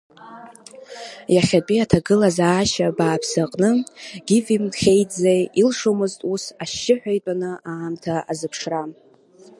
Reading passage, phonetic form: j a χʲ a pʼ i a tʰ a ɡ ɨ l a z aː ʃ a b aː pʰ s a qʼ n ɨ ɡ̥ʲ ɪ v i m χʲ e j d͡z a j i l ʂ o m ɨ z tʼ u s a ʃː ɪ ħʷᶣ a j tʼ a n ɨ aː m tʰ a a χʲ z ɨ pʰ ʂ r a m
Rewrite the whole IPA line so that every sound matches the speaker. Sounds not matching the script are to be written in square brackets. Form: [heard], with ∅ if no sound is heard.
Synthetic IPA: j a χʲ a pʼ i a tʰ a ɡ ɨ l a z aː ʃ a b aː pʰ s a qʼ n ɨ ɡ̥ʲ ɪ v i m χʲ e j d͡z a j i l ʂ o m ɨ z tʼ u s a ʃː ɪ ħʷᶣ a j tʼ a n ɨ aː m tʰ a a [∅] z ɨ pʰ ʂ r a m